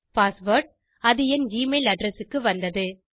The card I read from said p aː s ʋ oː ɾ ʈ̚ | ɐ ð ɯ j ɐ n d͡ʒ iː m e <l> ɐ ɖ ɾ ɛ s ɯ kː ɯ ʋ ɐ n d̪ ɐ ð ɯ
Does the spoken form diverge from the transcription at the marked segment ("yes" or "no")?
no